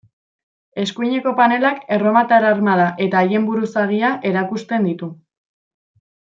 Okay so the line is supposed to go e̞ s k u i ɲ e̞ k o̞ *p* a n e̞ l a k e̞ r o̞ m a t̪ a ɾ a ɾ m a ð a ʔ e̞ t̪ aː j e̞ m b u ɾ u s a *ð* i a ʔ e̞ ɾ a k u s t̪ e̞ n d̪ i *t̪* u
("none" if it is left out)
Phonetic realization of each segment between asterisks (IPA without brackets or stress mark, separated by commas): p, ɣ, t̪